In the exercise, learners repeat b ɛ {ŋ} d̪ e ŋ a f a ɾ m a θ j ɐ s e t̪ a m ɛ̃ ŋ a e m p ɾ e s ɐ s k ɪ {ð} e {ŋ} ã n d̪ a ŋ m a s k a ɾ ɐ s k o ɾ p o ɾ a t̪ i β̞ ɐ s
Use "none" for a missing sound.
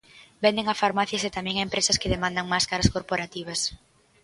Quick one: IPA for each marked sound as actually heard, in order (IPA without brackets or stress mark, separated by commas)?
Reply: n, ð, m